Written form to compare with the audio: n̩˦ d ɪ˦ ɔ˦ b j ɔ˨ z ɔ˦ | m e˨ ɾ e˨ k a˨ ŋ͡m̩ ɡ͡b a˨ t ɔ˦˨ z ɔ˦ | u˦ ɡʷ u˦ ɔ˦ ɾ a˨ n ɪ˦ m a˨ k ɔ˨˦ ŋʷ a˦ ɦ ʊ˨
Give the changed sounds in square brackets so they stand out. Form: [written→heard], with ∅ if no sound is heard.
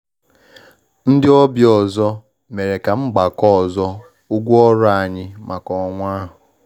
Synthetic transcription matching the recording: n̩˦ d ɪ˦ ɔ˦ b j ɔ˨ z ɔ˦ | m e˨ ɾ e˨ k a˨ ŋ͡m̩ ɡ͡b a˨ [t→k] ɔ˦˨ z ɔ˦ | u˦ ɡʷ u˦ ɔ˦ ɾ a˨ [n→ɲ] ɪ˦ m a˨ k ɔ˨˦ ŋʷ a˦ ɦ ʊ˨